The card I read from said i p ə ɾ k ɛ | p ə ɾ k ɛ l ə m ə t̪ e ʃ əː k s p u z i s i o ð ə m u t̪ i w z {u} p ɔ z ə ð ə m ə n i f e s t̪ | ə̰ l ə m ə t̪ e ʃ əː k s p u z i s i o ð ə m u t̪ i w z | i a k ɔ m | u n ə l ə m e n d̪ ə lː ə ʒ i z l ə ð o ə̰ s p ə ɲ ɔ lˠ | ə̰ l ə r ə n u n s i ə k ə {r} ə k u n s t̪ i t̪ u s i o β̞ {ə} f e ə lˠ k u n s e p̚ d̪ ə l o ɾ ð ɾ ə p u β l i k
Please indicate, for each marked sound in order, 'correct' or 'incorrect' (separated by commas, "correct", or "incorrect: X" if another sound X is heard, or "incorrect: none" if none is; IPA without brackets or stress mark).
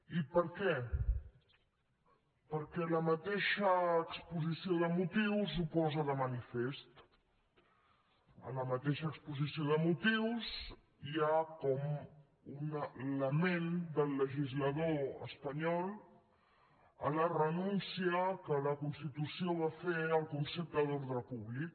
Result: correct, incorrect: l, incorrect: a